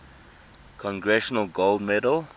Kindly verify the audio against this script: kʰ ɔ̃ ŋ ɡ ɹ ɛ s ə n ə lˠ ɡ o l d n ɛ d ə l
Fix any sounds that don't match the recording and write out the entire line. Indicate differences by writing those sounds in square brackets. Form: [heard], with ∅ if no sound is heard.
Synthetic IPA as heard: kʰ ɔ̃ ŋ ɡ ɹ ɛ [ʃ] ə n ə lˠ ɡ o l d [m] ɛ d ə l